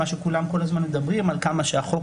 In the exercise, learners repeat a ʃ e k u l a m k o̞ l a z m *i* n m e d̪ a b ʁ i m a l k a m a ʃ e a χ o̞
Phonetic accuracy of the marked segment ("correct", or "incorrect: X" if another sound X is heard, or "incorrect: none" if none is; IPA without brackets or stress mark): incorrect: a